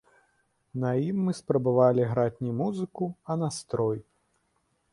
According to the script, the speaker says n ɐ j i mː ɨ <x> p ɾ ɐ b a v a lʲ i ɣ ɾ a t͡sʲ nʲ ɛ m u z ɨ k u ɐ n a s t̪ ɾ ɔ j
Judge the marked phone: incorrect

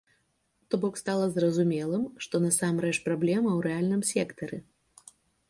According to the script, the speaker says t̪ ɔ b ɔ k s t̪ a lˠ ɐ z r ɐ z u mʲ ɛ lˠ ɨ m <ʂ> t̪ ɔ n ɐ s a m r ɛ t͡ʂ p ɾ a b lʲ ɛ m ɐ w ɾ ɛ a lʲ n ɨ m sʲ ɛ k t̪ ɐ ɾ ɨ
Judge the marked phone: correct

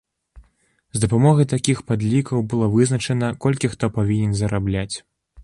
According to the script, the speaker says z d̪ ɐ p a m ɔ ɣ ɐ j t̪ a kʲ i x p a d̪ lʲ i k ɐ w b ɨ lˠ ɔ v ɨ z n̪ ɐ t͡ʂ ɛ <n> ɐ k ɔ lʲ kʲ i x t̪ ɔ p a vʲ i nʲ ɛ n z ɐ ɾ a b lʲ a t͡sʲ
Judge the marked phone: correct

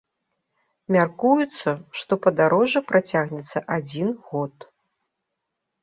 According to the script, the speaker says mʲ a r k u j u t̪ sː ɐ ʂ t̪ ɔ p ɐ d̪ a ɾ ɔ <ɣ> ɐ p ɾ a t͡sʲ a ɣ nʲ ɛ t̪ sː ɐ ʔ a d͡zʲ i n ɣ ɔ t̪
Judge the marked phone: incorrect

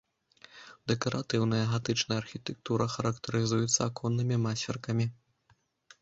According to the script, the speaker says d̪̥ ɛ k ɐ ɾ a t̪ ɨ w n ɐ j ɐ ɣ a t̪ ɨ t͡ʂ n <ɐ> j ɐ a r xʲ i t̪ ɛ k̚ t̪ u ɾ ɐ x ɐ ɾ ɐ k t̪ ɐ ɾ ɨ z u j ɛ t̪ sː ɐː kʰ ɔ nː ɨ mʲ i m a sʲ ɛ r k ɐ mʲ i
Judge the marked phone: correct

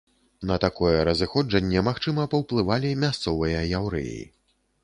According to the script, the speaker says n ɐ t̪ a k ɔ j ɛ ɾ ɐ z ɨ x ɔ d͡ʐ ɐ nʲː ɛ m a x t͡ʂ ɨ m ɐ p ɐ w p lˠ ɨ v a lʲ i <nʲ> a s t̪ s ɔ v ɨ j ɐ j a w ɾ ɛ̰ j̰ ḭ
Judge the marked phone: incorrect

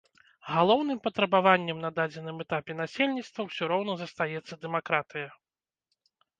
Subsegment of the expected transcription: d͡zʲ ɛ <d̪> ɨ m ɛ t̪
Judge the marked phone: incorrect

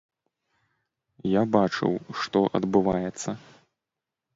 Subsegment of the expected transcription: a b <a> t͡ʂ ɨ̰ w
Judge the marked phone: correct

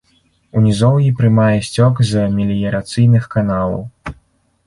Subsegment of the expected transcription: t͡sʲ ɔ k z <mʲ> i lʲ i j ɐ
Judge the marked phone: correct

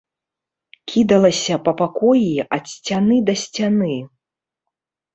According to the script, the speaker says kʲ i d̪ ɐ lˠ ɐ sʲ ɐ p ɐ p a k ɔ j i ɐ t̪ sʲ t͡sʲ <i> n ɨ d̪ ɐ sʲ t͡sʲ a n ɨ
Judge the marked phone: incorrect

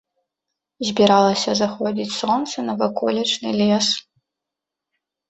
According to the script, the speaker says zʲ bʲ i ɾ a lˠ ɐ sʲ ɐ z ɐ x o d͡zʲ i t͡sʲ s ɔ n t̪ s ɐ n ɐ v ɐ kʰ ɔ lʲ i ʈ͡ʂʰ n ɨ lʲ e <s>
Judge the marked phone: correct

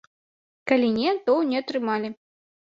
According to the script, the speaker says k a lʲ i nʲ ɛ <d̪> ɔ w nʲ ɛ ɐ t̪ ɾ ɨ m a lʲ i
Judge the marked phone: incorrect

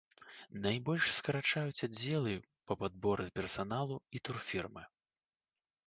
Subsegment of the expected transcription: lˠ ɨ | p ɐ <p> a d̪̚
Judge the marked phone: correct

